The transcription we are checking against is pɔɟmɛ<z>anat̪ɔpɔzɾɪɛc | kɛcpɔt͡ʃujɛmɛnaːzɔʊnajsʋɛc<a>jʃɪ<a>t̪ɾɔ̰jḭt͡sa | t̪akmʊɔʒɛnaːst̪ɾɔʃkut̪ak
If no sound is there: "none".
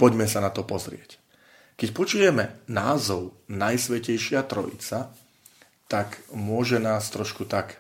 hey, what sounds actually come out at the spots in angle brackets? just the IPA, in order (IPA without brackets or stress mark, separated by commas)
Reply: s, ɛ, a